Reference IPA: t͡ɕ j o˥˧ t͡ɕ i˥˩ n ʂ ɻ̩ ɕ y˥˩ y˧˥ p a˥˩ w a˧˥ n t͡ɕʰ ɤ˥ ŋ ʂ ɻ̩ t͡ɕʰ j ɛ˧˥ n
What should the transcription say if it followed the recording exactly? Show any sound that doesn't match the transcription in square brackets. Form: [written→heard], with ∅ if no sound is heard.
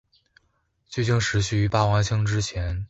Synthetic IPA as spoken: t͡ɕ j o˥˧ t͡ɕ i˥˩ [n→ŋ] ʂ ɻ̩ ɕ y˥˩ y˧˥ p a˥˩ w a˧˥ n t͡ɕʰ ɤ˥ ŋ [ʂ→ʈ͡ʂ] ɻ̩ t͡ɕʰ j ɛ˧˥ n